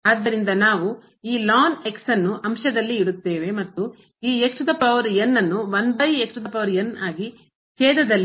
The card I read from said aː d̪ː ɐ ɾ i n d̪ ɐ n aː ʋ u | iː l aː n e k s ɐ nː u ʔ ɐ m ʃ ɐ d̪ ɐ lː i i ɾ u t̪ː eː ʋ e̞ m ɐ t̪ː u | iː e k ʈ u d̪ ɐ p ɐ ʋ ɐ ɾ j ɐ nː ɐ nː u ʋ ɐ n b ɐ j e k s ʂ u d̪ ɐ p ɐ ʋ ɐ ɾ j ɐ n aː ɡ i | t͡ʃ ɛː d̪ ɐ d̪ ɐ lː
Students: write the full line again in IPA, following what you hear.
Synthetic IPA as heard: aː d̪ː ɐ ɾ i n d̪ ɐ n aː ʋ u | iː l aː n e k s ɐ nː u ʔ ɐ m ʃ ɐ d̪ ɐ lː i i ɽ u t̪ː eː ʋ e̞ m ɐ t̪ː u | iː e k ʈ u d̪ ɐ p ɐ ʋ ɐ ɾ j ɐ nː ɐ nː u ʋ ɐ n b ɐ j e k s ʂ u d̪ ɐ p ɐ ʋ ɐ ɾ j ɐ n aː ɡ i | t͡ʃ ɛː d̪ ɐ d̪ ɐ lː

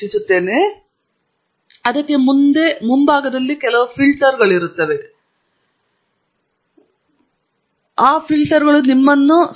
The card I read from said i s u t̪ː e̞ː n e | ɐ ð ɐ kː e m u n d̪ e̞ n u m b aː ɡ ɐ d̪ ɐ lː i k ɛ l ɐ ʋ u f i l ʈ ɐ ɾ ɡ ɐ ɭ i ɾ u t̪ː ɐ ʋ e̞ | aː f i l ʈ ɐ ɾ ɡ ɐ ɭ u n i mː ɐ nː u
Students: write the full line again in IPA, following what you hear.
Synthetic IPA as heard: i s u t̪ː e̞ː n e | ɐ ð ɐ kː e m u n d̪ e̞ m u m b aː ɡ ɐ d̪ ɐ lː i k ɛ l ɐ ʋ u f i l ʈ ɐ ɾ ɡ ɐ ɭ i ɾ u t̪ː ɐ ʋ e̞ | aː f i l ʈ ɐ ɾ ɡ ɐ ɭ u n i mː ɐ nː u

